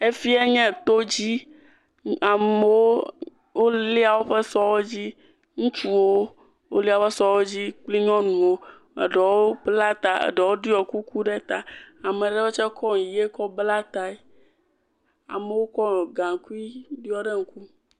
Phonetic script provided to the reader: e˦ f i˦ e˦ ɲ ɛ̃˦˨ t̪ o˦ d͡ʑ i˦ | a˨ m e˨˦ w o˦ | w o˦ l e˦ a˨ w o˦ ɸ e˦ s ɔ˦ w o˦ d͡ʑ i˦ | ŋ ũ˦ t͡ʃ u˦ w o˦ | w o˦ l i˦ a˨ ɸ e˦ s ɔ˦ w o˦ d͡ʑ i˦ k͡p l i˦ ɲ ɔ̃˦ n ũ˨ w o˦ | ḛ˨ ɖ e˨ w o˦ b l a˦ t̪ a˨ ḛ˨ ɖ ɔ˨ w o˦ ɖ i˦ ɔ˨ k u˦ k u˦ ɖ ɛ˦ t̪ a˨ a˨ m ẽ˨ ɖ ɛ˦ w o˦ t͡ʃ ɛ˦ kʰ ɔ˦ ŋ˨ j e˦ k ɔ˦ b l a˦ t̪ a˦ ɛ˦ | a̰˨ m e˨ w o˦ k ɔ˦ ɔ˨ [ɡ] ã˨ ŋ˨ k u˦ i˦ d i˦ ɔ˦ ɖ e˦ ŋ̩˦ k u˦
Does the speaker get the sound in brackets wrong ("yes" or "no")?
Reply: no